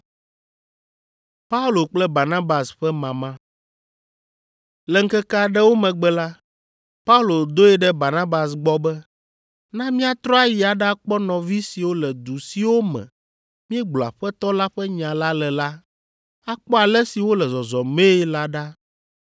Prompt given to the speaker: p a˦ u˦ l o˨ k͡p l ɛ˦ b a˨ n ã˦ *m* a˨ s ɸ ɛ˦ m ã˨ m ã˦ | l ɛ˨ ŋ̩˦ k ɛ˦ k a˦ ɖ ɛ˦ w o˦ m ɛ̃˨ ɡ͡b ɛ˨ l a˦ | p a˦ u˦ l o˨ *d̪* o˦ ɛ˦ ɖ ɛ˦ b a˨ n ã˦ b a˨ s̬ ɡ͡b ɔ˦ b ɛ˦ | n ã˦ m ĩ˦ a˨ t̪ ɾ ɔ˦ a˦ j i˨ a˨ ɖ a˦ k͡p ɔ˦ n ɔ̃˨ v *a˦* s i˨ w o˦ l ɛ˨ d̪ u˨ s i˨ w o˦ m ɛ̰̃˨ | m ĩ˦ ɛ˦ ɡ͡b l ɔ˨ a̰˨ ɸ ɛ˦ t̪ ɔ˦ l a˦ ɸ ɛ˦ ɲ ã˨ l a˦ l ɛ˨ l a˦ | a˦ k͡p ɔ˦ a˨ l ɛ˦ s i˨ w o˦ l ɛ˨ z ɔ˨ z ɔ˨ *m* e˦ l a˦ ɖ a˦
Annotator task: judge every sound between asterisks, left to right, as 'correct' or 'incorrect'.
incorrect: b, correct, incorrect: i˦, correct

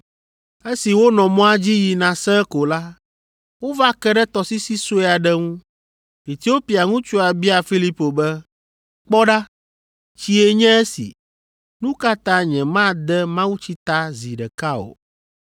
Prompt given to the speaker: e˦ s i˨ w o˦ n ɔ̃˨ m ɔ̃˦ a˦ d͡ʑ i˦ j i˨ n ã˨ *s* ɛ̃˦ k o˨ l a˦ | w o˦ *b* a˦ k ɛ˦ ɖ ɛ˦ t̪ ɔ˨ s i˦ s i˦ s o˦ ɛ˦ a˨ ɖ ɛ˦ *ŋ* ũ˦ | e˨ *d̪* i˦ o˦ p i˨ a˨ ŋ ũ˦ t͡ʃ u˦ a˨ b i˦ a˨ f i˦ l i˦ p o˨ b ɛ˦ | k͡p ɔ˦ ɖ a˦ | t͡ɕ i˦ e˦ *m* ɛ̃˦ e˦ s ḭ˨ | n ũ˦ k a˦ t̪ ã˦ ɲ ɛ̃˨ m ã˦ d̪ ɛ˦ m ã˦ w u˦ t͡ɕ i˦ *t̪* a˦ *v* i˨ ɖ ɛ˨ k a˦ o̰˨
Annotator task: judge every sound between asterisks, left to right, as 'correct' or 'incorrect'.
correct, incorrect: v, correct, incorrect: t̪, incorrect: ɲ, correct, incorrect: z

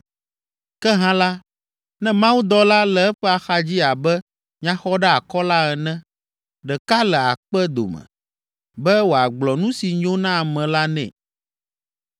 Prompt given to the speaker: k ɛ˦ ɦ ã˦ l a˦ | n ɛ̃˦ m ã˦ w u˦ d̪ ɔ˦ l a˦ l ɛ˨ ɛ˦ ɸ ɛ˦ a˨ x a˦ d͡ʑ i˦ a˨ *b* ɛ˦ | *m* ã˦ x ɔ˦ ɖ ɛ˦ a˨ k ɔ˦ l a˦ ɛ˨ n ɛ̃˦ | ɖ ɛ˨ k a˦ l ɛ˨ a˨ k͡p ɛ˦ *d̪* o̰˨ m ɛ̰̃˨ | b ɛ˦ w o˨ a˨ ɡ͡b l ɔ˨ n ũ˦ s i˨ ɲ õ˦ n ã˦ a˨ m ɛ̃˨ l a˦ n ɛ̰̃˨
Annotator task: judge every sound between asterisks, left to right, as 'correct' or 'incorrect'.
correct, incorrect: ɲ, correct

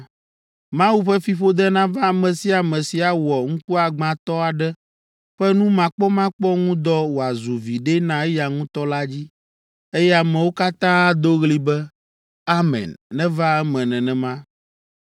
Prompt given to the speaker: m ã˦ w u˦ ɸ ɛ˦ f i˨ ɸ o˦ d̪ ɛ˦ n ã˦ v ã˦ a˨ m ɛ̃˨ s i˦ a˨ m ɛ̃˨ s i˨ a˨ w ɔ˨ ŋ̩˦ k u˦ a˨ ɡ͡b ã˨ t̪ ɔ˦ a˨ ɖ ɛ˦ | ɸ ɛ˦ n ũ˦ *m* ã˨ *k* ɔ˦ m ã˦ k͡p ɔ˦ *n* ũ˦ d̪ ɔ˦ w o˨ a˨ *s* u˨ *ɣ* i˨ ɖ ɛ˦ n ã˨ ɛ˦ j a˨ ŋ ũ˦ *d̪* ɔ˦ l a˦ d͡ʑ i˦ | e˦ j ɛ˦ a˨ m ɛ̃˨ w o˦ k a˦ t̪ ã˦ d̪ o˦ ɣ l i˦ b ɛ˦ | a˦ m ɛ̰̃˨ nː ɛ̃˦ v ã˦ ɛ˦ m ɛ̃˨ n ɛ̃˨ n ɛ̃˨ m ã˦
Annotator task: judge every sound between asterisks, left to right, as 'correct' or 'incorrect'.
correct, incorrect: k͡p, incorrect: ŋ, incorrect: z, incorrect: v, incorrect: t̪

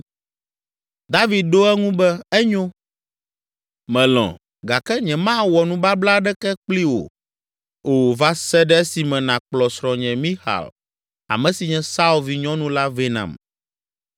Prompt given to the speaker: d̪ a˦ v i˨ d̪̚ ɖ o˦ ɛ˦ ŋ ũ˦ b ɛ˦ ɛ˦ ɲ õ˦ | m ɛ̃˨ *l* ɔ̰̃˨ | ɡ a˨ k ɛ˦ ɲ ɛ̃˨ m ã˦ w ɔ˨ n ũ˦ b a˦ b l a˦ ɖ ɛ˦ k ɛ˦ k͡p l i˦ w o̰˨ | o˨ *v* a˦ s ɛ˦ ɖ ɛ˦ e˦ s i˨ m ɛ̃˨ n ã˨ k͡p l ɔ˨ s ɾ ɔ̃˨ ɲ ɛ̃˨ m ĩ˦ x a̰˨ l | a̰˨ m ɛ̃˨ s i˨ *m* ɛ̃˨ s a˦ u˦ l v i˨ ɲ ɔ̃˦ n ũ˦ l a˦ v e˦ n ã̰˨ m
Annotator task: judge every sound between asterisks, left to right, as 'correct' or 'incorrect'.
correct, correct, incorrect: ɲ

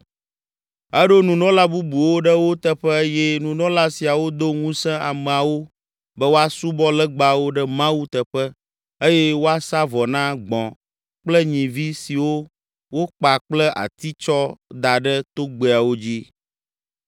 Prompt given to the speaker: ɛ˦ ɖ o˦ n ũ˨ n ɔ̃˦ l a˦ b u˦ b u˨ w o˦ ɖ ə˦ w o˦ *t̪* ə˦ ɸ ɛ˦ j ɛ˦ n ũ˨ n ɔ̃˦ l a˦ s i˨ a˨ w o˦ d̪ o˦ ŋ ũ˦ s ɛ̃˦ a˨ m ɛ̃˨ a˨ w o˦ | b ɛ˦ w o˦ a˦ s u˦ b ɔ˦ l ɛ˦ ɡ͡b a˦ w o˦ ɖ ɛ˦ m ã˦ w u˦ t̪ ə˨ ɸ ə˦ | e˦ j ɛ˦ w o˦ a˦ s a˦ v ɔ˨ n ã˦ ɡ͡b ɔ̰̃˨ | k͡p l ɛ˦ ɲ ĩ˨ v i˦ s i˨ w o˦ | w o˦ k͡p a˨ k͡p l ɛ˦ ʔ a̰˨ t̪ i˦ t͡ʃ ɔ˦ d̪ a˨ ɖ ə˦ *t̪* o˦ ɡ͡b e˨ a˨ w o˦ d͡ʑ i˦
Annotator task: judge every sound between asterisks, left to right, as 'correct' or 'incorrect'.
correct, correct

